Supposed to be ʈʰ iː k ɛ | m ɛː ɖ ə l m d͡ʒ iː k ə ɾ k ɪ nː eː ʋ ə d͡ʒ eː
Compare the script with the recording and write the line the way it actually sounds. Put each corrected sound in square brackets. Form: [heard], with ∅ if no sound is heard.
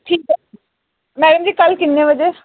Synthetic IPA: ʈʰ iː k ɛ | m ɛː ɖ ə [∅] m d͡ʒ iː k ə [l] k ɪ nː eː ʋ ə d͡ʒ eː